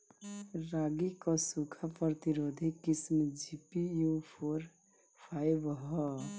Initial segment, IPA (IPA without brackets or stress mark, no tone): ɾ